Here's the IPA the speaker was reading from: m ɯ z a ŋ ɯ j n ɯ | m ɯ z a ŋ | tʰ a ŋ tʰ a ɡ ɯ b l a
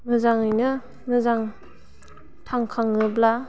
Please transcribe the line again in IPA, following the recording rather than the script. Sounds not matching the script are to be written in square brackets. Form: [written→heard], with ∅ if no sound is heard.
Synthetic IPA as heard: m ɯ z a ŋ ɯ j n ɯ | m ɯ z a ŋ | tʰ a ŋ [tʰ→kʰ] a [ɡ→ŋ] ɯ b l a